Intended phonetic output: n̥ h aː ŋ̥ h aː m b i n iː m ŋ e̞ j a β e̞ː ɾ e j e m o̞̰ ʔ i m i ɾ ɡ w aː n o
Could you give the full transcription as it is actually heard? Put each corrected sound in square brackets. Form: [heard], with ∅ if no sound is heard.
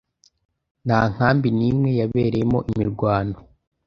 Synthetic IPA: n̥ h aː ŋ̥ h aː m b i n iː m ŋ e̞ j a β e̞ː ɾ e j e m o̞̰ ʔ i m i ɾ ɡ w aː n o